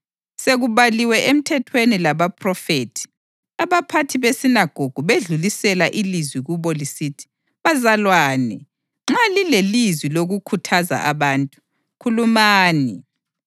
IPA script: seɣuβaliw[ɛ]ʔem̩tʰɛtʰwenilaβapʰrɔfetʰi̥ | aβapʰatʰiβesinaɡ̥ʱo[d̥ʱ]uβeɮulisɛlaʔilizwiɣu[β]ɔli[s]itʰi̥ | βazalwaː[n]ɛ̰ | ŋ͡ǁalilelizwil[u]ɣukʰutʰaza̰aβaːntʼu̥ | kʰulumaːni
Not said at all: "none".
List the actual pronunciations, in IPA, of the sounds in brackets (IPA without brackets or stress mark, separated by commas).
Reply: ɛ, ɡ̥ʱ, β, s, n, o